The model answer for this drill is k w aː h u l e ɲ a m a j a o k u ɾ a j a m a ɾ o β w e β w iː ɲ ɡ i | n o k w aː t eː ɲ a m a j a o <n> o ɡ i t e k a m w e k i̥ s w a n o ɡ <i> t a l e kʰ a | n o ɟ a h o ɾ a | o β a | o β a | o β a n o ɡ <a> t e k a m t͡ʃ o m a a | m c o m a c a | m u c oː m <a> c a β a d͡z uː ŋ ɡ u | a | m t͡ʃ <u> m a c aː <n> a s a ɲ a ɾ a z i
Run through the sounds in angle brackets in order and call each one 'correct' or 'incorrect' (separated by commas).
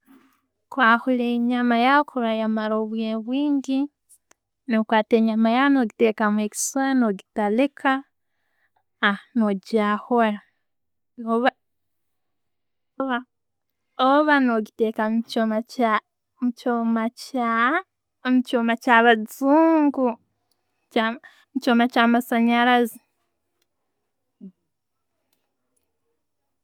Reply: correct, correct, incorrect, correct, incorrect, incorrect